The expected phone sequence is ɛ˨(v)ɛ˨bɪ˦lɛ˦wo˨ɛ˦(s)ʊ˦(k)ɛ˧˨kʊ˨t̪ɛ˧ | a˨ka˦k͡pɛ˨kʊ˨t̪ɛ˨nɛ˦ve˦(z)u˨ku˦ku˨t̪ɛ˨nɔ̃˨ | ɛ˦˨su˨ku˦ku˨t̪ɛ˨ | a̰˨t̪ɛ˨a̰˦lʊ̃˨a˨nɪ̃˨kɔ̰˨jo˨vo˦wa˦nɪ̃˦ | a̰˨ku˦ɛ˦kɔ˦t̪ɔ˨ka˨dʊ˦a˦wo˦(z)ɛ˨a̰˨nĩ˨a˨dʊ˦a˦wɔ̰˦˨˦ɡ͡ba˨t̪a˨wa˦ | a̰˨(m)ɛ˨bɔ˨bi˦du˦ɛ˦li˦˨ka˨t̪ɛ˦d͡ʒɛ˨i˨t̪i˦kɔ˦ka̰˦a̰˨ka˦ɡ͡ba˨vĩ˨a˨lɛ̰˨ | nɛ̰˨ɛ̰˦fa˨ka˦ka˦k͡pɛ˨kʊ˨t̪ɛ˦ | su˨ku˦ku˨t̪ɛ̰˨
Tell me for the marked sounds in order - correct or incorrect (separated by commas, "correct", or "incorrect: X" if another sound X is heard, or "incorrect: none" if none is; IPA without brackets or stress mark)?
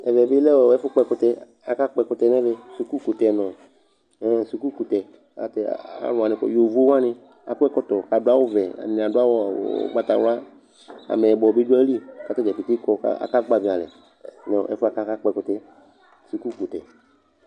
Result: correct, incorrect: f, incorrect: k͡p, incorrect: s, incorrect: v, correct